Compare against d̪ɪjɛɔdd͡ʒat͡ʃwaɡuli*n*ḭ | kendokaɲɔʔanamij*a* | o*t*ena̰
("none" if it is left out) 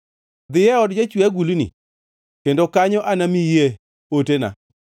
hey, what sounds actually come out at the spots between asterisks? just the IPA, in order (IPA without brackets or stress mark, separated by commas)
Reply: n, e, t